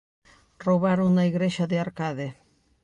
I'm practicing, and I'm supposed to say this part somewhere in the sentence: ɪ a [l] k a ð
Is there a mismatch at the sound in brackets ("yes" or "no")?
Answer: yes